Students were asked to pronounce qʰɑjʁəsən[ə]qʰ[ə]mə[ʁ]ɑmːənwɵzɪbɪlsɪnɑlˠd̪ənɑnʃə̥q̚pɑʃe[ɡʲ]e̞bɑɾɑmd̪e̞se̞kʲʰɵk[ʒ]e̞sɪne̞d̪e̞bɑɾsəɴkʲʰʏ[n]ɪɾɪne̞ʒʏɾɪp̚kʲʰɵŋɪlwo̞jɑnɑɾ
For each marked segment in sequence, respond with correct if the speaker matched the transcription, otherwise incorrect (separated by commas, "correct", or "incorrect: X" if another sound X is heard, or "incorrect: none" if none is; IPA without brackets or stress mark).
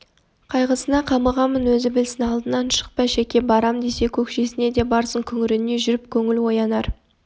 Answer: incorrect: ɑ, incorrect: ɑ, correct, incorrect: kʲ, incorrect: ʃ, incorrect: ŋ